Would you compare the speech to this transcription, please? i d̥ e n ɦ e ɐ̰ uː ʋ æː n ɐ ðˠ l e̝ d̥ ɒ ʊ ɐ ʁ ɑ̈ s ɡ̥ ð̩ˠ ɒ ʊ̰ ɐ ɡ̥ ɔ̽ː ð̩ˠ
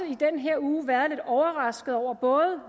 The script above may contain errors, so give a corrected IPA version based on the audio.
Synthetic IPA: i d̥ e n ɦ e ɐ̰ uː ʋ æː ɐ ðˠ l e̝ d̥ ɒ ʊ ɐ ʁ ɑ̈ s ɡ̥ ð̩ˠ ɒ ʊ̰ ɐ b̥ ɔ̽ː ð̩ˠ

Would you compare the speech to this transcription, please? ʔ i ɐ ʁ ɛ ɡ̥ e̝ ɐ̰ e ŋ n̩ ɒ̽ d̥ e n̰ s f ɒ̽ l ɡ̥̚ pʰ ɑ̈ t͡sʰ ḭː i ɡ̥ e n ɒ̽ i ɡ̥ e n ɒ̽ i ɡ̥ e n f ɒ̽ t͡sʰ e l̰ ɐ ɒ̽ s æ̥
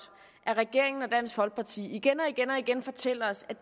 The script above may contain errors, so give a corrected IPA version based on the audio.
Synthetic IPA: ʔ æ ɐ ʁ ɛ ɡ̥ e̝ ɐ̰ e ŋ n̩ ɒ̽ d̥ æ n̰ s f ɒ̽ l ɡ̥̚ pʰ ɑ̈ t͡sʰ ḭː i ɡ̥ e n ɒ̽ i ɡ̥ e n ɒ̽ i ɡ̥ e n f ɒ̽ t͡sʰ e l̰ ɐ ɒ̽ s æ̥

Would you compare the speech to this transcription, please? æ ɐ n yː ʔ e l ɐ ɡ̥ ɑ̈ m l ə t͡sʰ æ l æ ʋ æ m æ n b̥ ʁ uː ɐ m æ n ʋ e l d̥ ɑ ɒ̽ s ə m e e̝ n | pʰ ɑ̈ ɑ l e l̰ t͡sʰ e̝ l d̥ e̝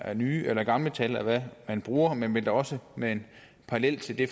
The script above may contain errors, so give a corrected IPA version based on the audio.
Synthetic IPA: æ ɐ n yː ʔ e l ɐ ɡ̥ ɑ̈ m l ə t͡sʰ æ l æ ʋ æ m æ n b̥ ʁ uː ɐ m e n ʋ e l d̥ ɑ ɒ̽ s ə m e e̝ n | pʰ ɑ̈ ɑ l e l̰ t͡sʰ e̝ l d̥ e̝

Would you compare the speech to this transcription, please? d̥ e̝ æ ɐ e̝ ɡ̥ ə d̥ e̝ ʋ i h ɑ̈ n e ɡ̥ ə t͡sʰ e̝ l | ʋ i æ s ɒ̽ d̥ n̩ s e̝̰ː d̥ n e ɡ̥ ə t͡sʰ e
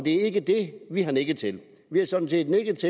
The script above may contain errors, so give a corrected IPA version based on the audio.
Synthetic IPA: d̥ e̝ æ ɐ e̝ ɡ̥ ə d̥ e̝ ʋ i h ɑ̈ n e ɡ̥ ə t͡sʰ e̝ l | ʋ i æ s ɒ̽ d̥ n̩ s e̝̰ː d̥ n e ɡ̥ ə t͡sʰ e

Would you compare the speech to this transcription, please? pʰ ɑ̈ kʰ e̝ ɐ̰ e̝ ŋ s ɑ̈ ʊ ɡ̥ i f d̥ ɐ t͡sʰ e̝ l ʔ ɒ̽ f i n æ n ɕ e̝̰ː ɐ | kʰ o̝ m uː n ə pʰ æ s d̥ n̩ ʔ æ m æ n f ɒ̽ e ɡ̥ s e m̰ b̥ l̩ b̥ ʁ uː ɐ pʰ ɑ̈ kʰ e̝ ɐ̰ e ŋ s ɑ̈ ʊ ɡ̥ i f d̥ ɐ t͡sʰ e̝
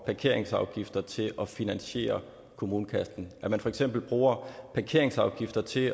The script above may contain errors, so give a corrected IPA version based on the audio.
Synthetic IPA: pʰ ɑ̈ kʰ e̝ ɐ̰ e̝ ŋ s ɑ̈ ʊ ɡ̥ i f d̥ ɐ t͡sʰ e̝ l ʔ ɒ̽ f i n æ n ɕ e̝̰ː ɐ | kʰ o̝ m uː n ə kʰ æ s d̥ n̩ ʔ æ m æ n f ɒ̽ e ɡ̥ s e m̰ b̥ l̩ b̥ ʁ uː ɐ pʰ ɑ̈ kʰ e̝ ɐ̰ e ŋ s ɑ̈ ʊ ɡ̥ i f d̥ ɐ t͡sʰ e̝

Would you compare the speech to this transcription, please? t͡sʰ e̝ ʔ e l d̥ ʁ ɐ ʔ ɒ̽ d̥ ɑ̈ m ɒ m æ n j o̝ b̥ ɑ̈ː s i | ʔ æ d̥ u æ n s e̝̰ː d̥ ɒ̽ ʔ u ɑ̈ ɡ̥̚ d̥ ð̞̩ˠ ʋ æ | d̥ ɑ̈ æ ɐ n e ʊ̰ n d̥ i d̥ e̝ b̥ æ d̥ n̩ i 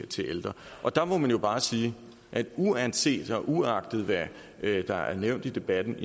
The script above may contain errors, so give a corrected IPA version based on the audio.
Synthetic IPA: t͡sʰ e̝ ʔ e l d̥ ʁ ɐ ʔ ɒ̽ d̥ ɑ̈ m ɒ m æ n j o̝ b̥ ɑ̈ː s iː | ʔ æ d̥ u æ n s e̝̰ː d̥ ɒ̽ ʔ u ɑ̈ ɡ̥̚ d̥ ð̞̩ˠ ʋ æ | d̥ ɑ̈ æ ɐ n e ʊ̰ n d̥ i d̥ e̝ b̥ æ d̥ n̩ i

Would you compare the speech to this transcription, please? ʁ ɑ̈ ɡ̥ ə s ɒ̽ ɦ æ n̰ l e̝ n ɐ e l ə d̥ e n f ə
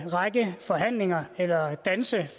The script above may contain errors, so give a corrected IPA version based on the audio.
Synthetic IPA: ʁ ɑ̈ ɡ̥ ə f ɒ̽ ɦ æ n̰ l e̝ ŋ ɐ e l ɐ d̥ æ n s ə

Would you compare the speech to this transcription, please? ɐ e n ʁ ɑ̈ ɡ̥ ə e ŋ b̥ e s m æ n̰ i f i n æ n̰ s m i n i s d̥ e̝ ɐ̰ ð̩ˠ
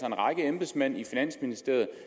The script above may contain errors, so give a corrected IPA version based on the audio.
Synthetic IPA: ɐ e n ʁ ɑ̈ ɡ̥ ə e m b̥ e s m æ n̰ i f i n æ n̰ s m i n i s d̥ e̝ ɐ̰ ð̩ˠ

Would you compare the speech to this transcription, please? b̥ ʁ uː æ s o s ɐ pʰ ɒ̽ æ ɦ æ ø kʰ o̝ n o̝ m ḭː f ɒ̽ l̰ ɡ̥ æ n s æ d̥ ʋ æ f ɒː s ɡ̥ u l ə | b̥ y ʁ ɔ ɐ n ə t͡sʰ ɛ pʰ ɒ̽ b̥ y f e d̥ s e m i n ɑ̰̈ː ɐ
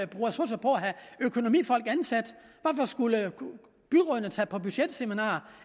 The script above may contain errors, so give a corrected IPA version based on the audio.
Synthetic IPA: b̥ ʁ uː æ s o s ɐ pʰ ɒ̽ æ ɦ æ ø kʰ o̝ n o̝ m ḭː f ɒ̽ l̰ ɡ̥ æ n s æ d̥ ʋ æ f ɒ s ɡ̥ u l ə | b̥ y ʁ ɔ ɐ n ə t͡sʰ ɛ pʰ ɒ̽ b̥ y ɕ e d̥ s e m i n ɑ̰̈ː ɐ

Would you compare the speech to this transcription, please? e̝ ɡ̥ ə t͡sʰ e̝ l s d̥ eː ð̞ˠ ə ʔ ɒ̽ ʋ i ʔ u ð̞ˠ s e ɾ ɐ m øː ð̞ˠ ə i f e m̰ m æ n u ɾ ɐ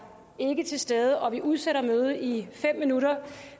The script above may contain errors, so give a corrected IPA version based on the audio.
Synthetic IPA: e̝ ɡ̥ ə t͡sʰ e̝ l s d̥ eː ð̞ˠ ə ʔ ɒ̽ ʋ i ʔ u ð̞ˠ s e ɾ ɐ m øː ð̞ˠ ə i f e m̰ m i n u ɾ ɐ

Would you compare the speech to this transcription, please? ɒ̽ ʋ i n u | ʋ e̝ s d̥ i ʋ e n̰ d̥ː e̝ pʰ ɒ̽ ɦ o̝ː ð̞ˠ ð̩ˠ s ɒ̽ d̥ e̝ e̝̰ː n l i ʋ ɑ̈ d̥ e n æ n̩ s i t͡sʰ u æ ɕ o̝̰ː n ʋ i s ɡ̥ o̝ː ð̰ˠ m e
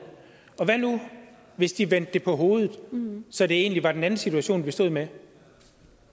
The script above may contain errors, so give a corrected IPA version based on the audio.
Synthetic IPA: ɒ̽ ʋ æ n u | ʋ e̝ s d̥ i ʋ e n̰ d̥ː e̝ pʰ ɒ̽ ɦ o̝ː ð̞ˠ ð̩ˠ s ɒ̽ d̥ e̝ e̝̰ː n l i ʋ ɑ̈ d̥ e n æ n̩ s i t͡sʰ u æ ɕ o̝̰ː n ʋ i s d̥ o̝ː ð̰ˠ m e

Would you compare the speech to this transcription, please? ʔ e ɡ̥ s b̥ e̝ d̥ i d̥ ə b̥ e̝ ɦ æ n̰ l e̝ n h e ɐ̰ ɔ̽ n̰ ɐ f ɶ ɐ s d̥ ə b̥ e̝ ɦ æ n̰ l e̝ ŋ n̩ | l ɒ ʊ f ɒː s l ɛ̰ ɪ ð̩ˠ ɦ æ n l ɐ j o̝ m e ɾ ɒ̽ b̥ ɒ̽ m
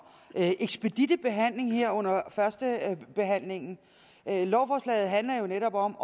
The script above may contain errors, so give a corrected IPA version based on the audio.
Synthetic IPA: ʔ e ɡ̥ s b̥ e̝ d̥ i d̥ ə b̥ e̝ ɦ æ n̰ l e̝ ŋ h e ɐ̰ ɔ̽ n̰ ɐ f ɶ ɐ s d̥ ə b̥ e̝ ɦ æ n̰ l e̝ ŋ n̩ | l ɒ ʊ f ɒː s l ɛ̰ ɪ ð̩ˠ ɦ æ n l ɐ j o̝ n e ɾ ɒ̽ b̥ ɒ̽ m

